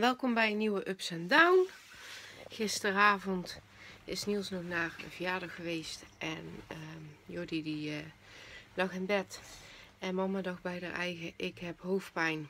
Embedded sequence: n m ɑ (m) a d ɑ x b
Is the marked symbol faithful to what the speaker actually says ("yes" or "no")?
yes